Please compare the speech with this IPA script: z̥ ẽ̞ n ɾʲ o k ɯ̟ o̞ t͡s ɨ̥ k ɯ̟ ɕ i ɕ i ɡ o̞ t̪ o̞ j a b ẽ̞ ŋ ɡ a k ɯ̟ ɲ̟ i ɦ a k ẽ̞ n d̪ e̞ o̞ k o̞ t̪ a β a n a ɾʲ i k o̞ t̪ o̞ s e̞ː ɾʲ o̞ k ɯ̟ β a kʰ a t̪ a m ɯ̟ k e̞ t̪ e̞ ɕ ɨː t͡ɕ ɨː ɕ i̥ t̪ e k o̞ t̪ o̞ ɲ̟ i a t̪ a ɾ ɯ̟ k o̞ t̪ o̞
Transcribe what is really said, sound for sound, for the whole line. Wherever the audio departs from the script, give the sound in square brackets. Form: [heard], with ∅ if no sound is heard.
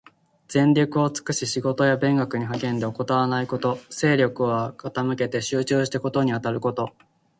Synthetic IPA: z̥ ẽ̞ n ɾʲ o k ɯ̟ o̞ t͡s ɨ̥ k ɯ̟ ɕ i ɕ i ɡ o̞ t̪ o̞ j a b ẽ̞ ŋ ɡ a k ɯ̟ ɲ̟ i ɦ a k ẽ̞ n d̪ e̞ o̞ k o̞ t̪ a β a n a [∅] i k o̞ t̪ o̞ s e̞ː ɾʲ o̞ k ɯ̟ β a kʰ a t̪ a m ɯ̟ k e̞ t̪ e̞ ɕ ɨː t͡ɕ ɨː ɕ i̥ t̪ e k o̞ t̪ o̞ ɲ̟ i a t̪ a ɾ ɯ̟ k o̞ t̪ o̞